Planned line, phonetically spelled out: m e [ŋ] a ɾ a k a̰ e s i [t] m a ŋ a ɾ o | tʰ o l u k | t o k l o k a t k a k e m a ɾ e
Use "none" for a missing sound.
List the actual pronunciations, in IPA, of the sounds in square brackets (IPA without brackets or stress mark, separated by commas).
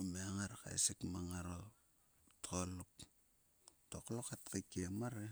ŋ, k